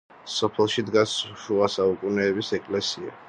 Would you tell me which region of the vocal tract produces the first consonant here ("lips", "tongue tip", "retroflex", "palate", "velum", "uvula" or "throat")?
tongue tip